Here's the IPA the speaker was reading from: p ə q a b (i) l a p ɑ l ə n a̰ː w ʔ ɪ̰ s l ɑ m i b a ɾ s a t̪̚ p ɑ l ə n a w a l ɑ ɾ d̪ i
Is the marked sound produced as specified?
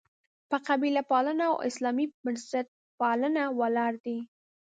yes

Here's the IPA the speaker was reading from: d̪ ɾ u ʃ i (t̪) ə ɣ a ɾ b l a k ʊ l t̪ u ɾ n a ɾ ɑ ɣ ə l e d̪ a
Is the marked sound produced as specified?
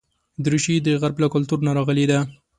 no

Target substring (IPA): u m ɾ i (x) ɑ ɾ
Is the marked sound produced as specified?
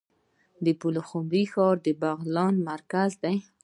yes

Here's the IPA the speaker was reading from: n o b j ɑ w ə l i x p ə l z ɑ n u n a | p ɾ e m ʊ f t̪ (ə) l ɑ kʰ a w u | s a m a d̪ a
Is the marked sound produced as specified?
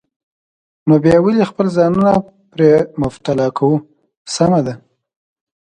no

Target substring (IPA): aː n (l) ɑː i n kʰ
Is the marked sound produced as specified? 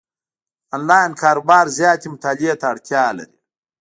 yes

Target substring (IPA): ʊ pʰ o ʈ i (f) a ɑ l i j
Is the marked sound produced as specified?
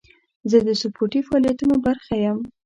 yes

